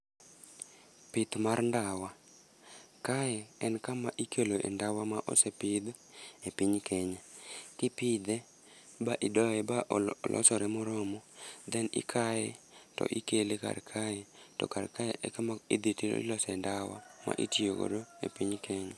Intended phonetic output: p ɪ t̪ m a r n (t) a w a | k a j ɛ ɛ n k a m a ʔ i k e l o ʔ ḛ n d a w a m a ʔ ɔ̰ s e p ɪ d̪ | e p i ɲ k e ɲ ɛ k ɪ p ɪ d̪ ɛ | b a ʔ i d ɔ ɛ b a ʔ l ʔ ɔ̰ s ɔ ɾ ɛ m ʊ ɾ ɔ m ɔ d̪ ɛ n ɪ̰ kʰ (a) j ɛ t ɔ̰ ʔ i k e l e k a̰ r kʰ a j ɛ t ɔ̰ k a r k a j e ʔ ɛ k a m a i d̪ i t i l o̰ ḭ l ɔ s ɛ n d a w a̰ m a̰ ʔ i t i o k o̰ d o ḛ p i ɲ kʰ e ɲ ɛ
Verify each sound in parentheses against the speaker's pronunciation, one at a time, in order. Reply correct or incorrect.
incorrect, correct

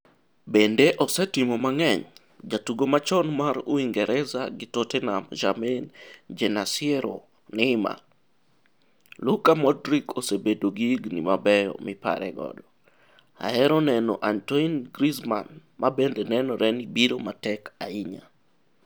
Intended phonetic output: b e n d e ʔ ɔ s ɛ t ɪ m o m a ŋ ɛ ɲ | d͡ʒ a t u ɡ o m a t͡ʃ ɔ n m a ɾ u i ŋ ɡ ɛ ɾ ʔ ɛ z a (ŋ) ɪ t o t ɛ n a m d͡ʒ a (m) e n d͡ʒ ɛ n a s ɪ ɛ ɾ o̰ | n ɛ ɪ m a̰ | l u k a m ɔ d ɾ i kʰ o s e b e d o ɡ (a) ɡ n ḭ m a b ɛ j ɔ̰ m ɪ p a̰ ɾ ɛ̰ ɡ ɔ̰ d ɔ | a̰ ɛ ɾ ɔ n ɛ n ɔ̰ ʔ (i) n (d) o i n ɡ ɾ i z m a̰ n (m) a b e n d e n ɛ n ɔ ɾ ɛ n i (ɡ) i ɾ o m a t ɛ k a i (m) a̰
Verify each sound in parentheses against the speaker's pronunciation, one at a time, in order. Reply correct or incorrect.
incorrect, correct, incorrect, incorrect, incorrect, correct, incorrect, incorrect

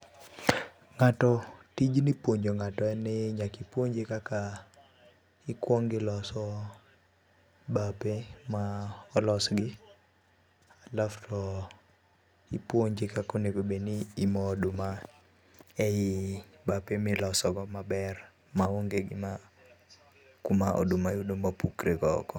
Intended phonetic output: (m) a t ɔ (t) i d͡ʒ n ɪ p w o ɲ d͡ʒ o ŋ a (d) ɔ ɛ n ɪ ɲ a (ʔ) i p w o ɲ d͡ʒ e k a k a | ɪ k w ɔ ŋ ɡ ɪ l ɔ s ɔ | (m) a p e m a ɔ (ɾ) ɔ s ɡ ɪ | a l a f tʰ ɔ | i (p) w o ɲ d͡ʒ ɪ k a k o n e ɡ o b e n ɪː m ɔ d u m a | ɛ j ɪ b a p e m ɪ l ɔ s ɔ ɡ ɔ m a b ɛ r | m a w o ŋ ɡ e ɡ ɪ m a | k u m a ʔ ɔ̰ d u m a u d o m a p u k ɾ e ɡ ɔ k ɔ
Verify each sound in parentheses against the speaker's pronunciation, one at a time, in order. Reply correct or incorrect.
incorrect, correct, incorrect, incorrect, incorrect, incorrect, correct

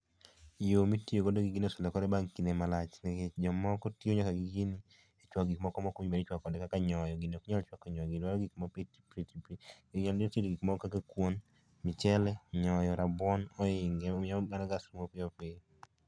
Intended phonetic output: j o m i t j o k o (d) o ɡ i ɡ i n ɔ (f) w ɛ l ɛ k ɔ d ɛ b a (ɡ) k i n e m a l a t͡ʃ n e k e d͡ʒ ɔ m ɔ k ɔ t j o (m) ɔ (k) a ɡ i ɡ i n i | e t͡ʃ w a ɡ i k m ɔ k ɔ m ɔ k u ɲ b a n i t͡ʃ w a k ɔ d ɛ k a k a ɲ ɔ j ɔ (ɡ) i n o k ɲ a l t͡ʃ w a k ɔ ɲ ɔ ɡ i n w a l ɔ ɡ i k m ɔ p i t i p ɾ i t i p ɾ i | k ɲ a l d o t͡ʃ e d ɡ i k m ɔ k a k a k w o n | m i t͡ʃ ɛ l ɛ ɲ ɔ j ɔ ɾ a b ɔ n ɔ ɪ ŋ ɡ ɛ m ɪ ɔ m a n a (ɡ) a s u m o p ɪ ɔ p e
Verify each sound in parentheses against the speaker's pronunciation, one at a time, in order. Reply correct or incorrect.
correct, incorrect, incorrect, incorrect, correct, correct, correct

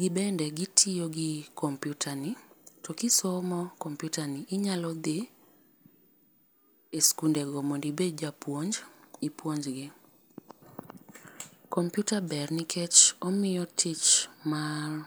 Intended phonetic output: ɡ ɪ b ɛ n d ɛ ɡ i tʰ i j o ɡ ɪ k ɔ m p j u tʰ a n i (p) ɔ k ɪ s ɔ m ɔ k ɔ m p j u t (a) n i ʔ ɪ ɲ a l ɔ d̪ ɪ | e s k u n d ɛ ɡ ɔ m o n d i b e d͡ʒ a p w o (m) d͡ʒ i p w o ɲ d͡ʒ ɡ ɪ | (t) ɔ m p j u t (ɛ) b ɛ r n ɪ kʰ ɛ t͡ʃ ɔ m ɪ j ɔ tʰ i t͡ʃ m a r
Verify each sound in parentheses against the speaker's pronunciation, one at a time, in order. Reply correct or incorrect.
incorrect, correct, incorrect, incorrect, incorrect

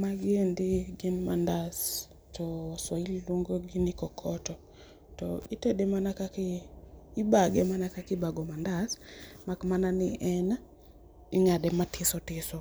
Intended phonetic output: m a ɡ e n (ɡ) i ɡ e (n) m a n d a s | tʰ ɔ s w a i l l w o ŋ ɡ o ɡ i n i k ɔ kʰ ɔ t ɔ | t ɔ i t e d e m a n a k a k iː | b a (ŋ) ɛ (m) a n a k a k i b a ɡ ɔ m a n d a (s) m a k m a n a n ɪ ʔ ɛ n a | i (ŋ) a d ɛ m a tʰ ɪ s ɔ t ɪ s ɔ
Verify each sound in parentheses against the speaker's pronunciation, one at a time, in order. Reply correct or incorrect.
incorrect, correct, incorrect, correct, correct, correct

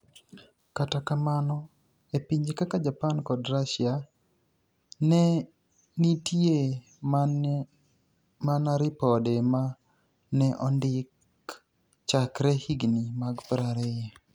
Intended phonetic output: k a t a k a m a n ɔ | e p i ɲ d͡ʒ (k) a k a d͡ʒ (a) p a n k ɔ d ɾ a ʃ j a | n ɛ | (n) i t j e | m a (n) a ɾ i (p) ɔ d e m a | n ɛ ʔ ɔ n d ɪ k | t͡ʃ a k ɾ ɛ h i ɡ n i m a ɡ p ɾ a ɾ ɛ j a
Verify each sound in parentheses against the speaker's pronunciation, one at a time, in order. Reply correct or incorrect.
correct, correct, correct, correct, correct

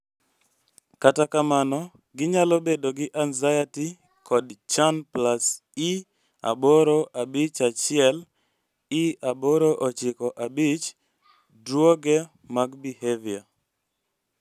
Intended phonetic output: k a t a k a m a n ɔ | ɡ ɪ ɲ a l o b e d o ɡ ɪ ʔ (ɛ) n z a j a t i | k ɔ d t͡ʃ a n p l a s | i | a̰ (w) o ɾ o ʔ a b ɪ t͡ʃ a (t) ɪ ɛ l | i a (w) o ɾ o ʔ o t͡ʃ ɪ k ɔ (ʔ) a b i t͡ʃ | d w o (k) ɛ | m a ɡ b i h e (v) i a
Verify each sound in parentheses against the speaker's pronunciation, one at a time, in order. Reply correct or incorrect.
incorrect, incorrect, incorrect, incorrect, correct, incorrect, correct

